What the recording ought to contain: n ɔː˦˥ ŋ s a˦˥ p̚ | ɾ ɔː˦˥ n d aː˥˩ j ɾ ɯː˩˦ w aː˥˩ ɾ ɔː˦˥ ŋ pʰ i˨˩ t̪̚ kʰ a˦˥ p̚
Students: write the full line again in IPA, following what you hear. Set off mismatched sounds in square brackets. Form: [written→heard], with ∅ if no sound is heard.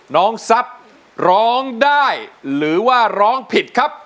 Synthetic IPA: n ɔː˦˥ ŋ s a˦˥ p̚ | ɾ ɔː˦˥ [n→ŋ] d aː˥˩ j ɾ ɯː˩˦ w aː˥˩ ɾ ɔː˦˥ ŋ pʰ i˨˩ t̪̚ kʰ a˦˥ p̚

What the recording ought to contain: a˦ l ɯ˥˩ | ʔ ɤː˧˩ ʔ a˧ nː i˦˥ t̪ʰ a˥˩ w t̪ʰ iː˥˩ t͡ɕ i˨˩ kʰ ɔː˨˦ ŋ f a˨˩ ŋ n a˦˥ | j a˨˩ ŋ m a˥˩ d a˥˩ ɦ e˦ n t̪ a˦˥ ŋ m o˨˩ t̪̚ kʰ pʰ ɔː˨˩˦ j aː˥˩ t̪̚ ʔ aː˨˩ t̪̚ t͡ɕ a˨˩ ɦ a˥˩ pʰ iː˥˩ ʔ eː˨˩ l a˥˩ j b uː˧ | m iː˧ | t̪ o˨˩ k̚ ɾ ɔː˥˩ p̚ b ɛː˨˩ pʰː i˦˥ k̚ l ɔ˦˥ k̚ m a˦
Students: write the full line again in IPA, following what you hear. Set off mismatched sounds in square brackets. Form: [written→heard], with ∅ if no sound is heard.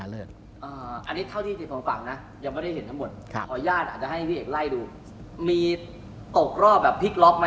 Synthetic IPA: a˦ l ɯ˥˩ | ʔ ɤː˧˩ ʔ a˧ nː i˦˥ t̪ʰ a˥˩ w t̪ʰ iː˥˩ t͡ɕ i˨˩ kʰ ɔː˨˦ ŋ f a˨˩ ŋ n a˦˥ | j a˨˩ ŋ m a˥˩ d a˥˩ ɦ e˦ n t̪ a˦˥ ŋ m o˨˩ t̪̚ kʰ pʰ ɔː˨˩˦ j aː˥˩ t̪̚ ʔ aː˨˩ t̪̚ t͡ɕ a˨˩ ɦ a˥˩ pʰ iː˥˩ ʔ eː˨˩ l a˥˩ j [b→d] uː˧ | m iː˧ | t̪ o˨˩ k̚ ɾ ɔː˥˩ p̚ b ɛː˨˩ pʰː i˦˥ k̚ l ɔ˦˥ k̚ m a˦

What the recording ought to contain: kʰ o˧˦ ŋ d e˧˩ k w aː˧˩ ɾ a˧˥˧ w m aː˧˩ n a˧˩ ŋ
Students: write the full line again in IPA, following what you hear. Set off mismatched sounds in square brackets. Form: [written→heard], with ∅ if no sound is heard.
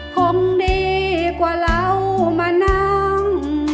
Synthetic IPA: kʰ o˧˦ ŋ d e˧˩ k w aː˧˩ [ɾ→l] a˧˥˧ w m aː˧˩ n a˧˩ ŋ

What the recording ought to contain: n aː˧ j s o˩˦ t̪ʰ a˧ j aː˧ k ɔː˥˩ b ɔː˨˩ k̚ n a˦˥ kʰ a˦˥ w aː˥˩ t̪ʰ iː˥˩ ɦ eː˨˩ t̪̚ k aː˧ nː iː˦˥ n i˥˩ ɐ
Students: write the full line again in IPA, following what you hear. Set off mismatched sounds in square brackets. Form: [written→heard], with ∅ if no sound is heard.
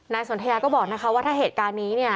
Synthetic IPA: n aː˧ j s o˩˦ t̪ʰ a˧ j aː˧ k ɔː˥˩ b ɔː˨˩ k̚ n a˦˥ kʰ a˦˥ w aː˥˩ t̪ʰ [iː˥˩→aː˥˩] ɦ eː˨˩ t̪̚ k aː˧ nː iː˦˥ n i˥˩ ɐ

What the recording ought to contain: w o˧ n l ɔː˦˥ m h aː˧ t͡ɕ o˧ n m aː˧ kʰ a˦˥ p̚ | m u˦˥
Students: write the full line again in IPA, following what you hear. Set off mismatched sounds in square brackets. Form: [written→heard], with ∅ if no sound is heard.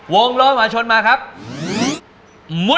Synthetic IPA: w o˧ [n→ŋ] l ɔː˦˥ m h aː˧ [t͡ɕ→t͡ɕʰ] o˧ n m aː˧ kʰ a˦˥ p̚ | m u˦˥

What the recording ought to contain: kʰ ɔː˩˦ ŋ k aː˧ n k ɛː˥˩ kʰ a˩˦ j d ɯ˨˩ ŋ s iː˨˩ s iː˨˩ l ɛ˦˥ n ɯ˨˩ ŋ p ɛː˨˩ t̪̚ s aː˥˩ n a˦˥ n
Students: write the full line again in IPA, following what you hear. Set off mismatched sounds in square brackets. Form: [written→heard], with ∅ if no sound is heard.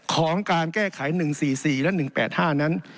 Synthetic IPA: kʰ ɔː˩˦ ŋ k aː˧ n k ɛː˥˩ kʰ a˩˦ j [d→n] ɯ˨˩ ŋ s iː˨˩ s iː˨˩ l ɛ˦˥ n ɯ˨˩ ŋ p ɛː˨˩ t̪̚ [s→h] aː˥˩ n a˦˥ n

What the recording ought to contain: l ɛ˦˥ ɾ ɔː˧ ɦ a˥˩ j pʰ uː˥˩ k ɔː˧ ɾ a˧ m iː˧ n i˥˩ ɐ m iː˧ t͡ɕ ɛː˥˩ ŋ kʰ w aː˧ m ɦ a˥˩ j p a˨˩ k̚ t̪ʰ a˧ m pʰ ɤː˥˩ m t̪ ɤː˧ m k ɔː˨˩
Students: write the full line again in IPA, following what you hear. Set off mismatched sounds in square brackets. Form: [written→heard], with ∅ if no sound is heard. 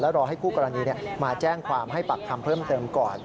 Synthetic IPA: l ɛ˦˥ ɾ ɔː˧ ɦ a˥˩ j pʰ uː˥˩ k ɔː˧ ɾ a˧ [m→n] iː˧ n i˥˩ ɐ m [iː˧→aː˧] t͡ɕ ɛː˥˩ ŋ kʰ w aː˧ m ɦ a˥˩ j p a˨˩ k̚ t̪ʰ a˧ m pʰ ɤː˥˩ m t̪ ɤː˧ m k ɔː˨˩

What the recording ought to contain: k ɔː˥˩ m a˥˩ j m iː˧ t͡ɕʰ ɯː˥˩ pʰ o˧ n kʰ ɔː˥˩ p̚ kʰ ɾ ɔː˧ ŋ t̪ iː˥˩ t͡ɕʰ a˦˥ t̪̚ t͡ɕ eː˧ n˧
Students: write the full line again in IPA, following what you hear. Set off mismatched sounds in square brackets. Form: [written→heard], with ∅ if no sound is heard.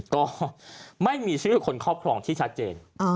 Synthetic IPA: k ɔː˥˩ m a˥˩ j m iː˧ t͡ɕʰ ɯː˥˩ [pʰ→kʰ] o˧ n kʰ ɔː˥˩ p̚ kʰ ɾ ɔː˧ ŋ [t̪→t̪ʰ] iː˥˩ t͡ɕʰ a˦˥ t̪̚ t͡ɕ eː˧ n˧

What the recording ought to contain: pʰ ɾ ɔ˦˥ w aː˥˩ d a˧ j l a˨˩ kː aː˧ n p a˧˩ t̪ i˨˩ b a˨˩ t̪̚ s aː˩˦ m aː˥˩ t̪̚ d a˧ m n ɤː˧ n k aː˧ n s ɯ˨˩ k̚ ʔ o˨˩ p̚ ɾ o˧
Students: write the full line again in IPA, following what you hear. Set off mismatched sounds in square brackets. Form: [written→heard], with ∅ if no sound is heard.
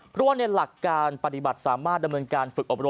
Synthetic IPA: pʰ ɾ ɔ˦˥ w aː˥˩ [d→n] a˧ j l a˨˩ kː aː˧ n p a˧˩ t̪ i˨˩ b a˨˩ t̪̚ s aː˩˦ m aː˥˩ t̪̚ d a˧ m n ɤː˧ n k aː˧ n [s→f] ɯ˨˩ k̚ ʔ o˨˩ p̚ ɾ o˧

